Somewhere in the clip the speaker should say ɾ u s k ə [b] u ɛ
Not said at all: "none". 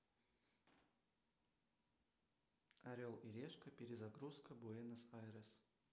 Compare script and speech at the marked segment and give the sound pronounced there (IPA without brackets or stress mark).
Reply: b